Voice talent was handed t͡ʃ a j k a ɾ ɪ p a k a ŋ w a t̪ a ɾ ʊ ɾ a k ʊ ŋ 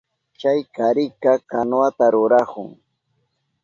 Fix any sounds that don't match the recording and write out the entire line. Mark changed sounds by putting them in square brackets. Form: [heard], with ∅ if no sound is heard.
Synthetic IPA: t͡ʃ a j k a ɾ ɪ [k] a k a [n] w a t̪ a ɾ ʊ ɾ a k ʊ ŋ